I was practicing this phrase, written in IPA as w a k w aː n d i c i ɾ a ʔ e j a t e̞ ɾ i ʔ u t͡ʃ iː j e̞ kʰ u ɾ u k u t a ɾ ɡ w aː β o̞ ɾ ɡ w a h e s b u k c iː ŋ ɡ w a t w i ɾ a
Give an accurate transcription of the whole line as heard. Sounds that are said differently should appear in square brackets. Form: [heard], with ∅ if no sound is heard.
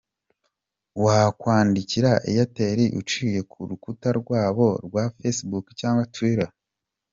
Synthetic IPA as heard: w a k w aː n d i c i ɾ a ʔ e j a t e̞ ɾ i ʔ u t͡ʃ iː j e̞ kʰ u ɾ u k u t a ɾ ɡ w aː β o̞ ɾ ɡ w a [f] e s b u k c [aː] ŋ ɡ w a t w i ɾ a